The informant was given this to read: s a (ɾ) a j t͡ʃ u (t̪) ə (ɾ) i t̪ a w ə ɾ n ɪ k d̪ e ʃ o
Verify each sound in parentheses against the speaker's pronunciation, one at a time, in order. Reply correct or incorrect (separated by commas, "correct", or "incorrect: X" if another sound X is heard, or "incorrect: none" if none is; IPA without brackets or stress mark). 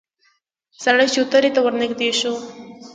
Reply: incorrect: ɽ, correct, correct